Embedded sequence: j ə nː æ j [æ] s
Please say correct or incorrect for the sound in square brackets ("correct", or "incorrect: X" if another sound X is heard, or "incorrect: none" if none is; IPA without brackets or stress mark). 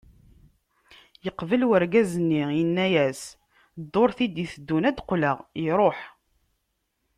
correct